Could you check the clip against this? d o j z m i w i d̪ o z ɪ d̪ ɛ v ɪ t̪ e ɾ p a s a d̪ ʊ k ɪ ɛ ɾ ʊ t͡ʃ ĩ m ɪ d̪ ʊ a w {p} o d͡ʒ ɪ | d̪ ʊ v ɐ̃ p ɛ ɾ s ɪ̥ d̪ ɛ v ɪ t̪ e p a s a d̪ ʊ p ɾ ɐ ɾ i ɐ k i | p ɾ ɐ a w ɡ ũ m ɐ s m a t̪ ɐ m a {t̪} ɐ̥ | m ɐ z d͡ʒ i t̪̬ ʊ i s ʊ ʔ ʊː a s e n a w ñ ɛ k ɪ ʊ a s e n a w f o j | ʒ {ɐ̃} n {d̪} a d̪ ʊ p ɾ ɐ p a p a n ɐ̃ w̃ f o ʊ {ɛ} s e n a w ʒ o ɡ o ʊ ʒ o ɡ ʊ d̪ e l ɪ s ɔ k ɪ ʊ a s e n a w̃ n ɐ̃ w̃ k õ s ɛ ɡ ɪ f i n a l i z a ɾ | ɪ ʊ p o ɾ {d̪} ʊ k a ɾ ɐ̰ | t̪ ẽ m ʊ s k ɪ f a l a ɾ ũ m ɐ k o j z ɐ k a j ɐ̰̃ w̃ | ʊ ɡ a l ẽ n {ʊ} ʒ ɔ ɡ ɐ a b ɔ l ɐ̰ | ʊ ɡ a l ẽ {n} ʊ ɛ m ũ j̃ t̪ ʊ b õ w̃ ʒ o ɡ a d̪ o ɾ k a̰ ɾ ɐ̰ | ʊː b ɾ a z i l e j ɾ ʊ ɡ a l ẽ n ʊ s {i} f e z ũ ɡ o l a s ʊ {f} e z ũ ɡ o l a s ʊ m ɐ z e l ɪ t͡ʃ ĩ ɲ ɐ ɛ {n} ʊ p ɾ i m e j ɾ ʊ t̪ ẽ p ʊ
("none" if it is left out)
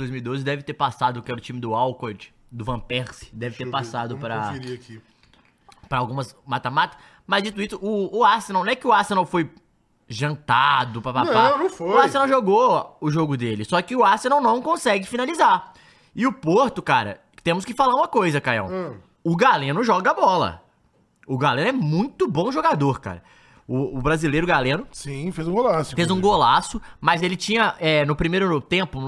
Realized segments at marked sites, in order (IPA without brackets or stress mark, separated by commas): k, t̪, ɐ̃, t̪, a, t̪, ʊ, n, ĩ, f, n